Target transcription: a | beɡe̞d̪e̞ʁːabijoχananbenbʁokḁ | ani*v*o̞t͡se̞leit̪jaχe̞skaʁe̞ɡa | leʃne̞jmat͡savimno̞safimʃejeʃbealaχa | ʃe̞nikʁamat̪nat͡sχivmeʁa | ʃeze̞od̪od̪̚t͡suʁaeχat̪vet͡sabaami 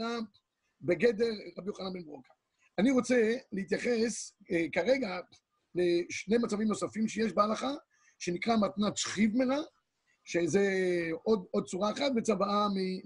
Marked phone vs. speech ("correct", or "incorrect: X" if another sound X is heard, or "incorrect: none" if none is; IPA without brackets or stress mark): incorrect: ʁ